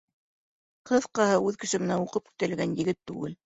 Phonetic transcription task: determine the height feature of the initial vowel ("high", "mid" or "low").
mid